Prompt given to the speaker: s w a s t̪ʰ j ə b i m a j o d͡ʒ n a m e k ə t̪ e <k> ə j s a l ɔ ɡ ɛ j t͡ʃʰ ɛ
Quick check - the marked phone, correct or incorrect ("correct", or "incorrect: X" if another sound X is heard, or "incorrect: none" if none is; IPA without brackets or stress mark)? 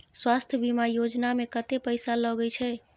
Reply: incorrect: p